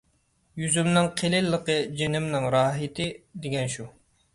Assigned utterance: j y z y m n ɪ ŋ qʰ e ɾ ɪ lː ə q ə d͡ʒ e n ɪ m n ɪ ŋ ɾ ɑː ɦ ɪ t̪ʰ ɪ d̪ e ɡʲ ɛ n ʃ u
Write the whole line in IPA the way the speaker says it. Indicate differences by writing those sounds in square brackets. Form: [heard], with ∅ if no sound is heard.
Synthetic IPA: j y z y m n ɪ ŋ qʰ e [l] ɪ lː ə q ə d͡ʒ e n ɪ m n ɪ ŋ ɾ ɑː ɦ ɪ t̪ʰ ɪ d̪ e ɡʲ ɛ n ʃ u